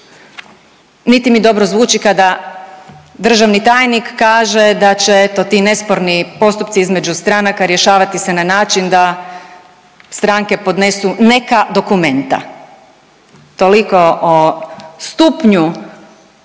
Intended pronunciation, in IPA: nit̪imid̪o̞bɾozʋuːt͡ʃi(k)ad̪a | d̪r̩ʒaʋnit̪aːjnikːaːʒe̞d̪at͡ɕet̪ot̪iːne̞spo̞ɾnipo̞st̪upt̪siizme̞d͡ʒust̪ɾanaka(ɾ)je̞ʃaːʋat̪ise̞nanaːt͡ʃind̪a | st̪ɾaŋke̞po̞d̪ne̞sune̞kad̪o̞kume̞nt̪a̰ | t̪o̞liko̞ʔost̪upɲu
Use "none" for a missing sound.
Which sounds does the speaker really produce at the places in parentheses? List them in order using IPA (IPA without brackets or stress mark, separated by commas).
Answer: k, ɾ